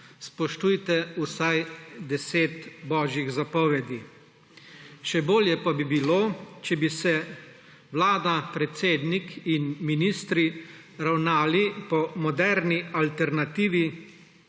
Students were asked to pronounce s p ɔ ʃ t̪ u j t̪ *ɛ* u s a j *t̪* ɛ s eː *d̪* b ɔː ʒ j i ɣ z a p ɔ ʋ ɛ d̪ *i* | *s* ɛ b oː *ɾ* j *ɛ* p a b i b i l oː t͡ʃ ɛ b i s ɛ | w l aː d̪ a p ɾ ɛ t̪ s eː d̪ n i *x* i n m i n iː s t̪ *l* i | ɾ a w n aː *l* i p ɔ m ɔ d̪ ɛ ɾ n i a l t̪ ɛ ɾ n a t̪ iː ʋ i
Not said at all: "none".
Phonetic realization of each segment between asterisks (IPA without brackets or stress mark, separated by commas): ɛ, d̪, t̪, i, ʃ, l, ɛ, k, ɾ, l